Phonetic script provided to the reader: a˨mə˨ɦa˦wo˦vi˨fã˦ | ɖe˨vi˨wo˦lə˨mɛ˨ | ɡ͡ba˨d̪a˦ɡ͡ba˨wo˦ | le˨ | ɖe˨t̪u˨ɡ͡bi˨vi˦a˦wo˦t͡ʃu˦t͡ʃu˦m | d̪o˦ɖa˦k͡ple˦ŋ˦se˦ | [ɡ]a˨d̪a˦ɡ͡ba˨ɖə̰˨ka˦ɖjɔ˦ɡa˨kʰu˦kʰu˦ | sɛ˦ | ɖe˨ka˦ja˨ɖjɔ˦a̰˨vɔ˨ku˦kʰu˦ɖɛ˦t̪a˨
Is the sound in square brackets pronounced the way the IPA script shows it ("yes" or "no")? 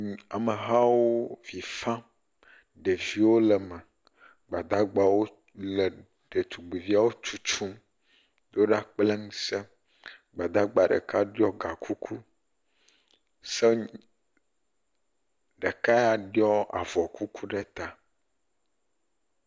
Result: no